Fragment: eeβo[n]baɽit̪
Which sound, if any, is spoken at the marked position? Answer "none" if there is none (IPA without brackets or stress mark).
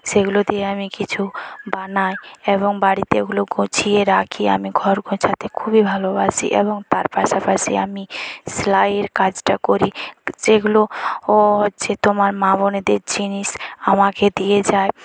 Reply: ŋ